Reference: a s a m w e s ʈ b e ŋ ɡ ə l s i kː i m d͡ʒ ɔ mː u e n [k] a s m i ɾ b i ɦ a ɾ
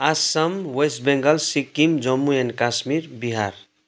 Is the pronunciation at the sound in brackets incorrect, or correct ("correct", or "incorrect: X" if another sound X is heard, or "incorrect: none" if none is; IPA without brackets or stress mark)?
correct